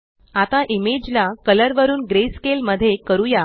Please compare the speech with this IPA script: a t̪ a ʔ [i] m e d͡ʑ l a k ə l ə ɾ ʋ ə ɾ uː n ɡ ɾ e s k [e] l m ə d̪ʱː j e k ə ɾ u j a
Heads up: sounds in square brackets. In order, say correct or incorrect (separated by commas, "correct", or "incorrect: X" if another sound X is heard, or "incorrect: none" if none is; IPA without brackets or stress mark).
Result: correct, correct